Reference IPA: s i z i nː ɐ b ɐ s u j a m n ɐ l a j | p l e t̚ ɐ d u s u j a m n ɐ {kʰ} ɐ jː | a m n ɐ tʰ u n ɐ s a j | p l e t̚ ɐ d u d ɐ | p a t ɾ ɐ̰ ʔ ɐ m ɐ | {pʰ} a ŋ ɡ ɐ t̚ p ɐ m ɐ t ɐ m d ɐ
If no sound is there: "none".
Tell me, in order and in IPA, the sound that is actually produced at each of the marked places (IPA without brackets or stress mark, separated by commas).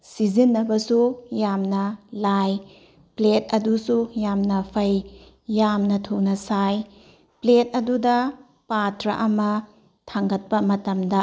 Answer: pʰ, tʰ